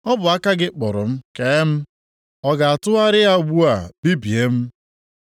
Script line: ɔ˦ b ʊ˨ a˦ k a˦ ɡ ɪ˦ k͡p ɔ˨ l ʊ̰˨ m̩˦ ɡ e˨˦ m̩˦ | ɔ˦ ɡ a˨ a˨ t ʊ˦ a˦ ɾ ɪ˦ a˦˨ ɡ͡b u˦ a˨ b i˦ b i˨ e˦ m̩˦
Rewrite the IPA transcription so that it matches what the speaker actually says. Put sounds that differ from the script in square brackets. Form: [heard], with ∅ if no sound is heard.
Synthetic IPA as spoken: ɔ˦ b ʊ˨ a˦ k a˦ ɡ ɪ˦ k͡p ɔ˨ [ɾ] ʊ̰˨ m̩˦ [k] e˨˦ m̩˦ | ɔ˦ ɡ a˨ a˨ t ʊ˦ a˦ ɾ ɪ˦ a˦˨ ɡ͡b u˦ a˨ b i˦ b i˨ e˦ m̩˦